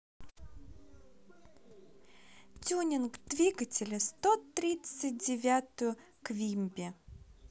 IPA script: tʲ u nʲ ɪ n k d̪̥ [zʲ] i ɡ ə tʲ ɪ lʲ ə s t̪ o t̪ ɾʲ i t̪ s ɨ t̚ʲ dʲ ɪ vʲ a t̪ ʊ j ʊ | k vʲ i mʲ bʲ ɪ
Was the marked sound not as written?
yes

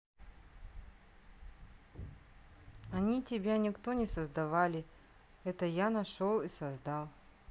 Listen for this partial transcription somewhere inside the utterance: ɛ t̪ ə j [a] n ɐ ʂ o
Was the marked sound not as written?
no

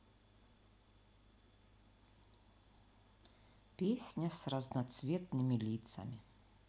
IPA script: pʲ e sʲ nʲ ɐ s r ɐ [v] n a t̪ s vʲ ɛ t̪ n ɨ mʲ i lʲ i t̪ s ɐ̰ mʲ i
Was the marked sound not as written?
yes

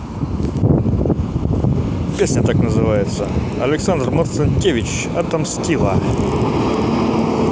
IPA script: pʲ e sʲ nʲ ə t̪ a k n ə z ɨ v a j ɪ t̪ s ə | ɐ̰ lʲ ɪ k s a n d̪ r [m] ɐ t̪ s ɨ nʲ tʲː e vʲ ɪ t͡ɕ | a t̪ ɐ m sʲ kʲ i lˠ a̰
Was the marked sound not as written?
no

